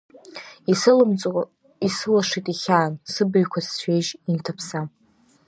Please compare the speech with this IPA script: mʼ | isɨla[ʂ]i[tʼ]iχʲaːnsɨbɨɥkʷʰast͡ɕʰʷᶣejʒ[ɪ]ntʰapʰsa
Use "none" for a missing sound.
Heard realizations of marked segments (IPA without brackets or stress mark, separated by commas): ʂ, tʼ, i